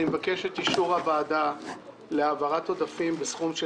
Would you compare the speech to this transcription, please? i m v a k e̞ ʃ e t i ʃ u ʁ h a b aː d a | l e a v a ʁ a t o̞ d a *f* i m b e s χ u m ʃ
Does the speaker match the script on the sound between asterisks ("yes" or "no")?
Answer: yes